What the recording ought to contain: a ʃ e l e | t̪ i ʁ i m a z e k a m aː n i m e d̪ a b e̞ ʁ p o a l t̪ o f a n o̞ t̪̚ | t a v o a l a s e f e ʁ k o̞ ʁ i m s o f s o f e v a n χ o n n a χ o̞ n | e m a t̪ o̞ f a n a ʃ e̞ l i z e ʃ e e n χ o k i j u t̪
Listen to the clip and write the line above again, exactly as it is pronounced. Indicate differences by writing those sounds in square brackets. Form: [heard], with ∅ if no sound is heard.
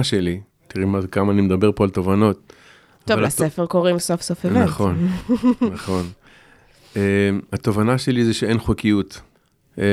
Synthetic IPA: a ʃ e l [i] | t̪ i ʁ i m a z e k a m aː n i m e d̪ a b e̞ ʁ p o a l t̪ o [v] a n o̞ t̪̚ | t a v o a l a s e f e ʁ k o̞ ʁ i m s o f s o f e v a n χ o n n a χ o̞ n | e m a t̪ o̞ [v] a n a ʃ e̞ l i z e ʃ e e n χ o k i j u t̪